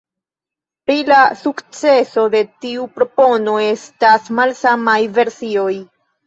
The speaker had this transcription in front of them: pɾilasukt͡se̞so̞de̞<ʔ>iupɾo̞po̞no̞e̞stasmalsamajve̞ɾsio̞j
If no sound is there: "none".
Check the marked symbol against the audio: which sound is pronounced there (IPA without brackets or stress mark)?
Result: t